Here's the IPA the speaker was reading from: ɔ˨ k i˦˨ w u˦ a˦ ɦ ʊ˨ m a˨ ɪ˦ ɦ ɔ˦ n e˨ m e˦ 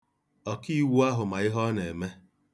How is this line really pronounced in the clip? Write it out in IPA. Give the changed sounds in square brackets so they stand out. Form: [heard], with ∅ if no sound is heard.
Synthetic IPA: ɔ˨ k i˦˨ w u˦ a˦ ɦ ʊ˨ m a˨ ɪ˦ ɦ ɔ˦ n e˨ m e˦